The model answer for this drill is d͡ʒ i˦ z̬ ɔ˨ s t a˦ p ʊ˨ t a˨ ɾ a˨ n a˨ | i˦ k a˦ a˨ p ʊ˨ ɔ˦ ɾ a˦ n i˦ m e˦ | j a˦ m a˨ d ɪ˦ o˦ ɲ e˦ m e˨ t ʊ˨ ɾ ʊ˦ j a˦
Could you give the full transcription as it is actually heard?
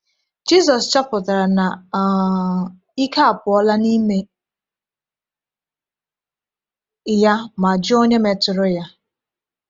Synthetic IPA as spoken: d͡ʒ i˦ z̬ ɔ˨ s t͡ʃ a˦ p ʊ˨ t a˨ ɾ a˨ n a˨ | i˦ k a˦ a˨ p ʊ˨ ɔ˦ l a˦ n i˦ m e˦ | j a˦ m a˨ d͡ʒ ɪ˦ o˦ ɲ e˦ m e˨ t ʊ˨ ɾ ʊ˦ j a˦